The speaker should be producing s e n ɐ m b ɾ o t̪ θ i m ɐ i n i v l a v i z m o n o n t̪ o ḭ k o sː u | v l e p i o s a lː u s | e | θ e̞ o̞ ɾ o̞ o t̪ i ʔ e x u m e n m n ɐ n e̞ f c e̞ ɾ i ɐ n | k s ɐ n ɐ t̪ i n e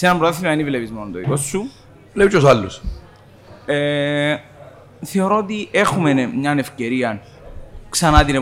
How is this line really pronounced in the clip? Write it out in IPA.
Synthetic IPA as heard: s e n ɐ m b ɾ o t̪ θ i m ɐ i n i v l e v i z m o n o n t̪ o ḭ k o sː u | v l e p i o s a lː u s | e | θ e̞ o̞ ɾ o̞ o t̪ i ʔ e x u m e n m ɲ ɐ n e̞ f c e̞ ɾ i ɐ n | k s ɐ n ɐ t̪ i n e